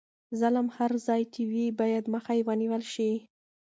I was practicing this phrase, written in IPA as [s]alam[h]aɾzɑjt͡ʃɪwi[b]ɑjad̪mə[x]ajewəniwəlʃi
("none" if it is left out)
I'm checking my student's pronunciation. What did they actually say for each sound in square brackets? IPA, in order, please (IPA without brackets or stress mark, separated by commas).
z, h, b, x